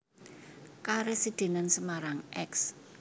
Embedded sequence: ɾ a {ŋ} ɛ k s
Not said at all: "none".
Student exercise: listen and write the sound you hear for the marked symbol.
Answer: ŋ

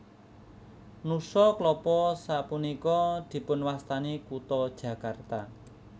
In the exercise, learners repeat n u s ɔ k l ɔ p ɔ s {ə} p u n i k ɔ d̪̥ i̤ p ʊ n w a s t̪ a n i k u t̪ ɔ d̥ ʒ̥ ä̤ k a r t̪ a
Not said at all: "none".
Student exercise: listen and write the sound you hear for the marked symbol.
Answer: a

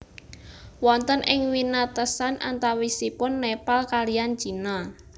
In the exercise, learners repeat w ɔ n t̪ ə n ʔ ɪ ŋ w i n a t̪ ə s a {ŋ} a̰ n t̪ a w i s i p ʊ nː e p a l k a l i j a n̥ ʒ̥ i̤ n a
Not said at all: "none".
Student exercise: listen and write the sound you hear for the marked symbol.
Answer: n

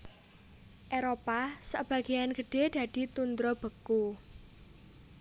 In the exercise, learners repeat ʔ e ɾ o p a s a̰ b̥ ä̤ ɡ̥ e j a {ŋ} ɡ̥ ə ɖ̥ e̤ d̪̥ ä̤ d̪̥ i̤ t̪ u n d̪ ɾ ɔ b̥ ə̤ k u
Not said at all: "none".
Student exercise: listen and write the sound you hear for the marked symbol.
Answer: n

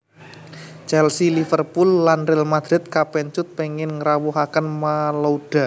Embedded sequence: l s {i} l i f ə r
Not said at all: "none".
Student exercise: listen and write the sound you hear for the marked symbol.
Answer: i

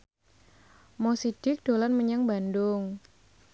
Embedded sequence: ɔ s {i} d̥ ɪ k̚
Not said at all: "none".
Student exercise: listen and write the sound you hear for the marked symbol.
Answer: i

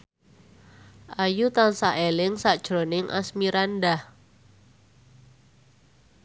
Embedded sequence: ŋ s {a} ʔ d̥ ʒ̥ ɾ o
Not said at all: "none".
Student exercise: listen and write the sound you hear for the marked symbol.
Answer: a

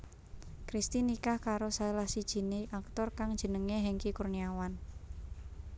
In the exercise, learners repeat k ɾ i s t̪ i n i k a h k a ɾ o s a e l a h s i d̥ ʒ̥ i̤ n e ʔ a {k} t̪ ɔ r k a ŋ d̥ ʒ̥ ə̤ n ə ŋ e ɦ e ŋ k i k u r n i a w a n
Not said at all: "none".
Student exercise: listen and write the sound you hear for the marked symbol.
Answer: k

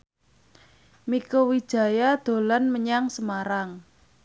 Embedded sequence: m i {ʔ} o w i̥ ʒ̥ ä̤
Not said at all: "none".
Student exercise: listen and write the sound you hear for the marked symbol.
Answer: k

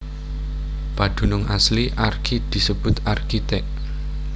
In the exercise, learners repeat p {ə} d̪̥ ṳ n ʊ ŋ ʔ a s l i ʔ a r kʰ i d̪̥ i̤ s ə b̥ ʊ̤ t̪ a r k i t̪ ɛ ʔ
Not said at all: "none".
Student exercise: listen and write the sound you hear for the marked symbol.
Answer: a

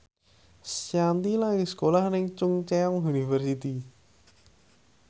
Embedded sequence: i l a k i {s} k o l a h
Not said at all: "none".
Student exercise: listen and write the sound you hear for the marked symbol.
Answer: s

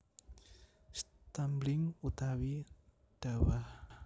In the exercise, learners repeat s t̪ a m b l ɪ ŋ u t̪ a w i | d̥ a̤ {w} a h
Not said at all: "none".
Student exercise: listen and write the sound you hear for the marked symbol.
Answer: w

